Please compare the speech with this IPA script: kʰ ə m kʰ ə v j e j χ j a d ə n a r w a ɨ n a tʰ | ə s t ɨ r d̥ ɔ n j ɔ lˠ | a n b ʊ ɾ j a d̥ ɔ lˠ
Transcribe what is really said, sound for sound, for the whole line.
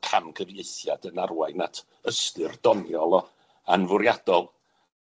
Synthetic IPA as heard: kʰ a m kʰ ə v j e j θ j a d ə n a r w a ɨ n a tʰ | ə s t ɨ r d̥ ɔ n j ɔ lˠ | a n v ʊ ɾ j a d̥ ɔ lˠ